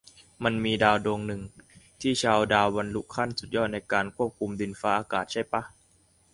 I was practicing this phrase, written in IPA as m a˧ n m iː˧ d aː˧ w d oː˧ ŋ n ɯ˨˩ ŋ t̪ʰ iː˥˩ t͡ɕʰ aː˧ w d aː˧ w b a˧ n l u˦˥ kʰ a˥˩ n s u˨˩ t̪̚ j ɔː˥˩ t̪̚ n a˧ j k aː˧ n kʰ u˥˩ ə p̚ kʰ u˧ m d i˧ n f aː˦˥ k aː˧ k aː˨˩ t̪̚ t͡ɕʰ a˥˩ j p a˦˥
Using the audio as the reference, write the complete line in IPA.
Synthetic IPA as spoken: m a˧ n m iː˧ d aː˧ w d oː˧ ŋ n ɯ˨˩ ŋ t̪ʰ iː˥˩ t͡ɕʰ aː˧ w d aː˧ w b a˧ n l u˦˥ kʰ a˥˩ n s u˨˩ t̪̚ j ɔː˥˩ t̪̚ n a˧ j k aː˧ n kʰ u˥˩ ə p̚ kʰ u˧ m d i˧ n f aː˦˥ ʔ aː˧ k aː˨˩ t̪̚ t͡ɕʰ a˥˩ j p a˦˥